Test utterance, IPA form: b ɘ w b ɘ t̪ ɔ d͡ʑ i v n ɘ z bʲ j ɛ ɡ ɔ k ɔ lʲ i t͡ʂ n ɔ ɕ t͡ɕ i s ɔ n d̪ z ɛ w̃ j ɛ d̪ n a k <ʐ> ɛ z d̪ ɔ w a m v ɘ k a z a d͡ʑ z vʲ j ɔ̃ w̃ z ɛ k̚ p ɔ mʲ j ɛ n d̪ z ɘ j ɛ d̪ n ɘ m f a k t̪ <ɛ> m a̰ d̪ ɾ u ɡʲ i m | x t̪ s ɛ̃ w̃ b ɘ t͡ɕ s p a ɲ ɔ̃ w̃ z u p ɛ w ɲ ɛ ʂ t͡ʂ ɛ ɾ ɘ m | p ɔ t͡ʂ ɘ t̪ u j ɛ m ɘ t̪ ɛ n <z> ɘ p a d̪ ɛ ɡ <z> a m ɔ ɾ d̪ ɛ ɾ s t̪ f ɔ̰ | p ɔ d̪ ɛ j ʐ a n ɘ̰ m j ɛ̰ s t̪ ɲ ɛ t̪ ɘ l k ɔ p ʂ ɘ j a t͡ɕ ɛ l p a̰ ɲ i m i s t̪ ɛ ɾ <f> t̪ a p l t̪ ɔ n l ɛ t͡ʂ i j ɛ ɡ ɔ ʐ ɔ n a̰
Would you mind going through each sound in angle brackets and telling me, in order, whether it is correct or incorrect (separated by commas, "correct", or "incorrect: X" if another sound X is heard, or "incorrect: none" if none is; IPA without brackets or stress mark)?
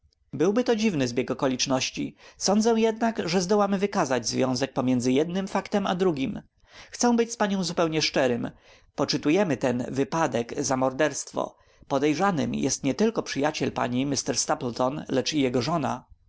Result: correct, correct, incorrect: v, correct, incorrect: s